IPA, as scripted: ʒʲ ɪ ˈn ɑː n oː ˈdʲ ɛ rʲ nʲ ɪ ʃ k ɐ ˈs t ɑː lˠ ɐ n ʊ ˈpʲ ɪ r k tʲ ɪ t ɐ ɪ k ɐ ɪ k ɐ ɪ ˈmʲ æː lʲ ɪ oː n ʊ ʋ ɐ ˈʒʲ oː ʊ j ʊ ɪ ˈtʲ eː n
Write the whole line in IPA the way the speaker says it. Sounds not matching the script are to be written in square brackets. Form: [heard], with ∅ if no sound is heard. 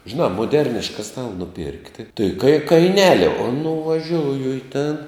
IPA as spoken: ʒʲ ɪ ˈn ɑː [m] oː ˈdʲ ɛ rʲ nʲ ɪ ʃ k ɐ ˈs t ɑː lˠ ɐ n ʊ ˈpʲ ɪ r k tʲ ɪ t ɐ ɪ k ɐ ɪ k ɐ ɪ [ˈnʲ] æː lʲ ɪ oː n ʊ ʋ ɐ ˈʒʲ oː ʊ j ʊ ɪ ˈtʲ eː n